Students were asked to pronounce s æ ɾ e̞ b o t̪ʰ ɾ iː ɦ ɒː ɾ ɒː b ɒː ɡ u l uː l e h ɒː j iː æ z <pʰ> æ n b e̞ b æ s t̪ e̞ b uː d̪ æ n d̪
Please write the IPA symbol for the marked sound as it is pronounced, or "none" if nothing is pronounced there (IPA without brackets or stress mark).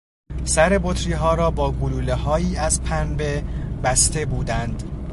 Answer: pʰ